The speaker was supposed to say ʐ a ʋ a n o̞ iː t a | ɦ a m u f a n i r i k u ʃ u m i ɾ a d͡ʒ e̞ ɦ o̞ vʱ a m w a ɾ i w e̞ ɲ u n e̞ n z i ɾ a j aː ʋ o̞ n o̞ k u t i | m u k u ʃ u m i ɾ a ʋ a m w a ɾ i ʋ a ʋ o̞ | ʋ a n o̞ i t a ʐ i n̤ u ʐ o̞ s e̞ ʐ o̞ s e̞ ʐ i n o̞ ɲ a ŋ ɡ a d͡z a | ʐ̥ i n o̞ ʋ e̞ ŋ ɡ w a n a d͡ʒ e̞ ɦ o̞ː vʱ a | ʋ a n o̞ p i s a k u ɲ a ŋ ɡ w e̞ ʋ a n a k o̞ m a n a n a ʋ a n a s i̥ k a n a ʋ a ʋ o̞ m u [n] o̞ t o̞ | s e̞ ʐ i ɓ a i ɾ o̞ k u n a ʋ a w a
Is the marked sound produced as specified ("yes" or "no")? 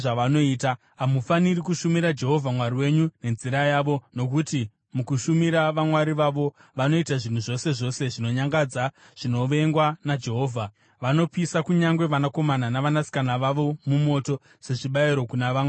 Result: no